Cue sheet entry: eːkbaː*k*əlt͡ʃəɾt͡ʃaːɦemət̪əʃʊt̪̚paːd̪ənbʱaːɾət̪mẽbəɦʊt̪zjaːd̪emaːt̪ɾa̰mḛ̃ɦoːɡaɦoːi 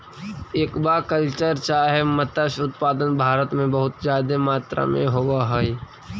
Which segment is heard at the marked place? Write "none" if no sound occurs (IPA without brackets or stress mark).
k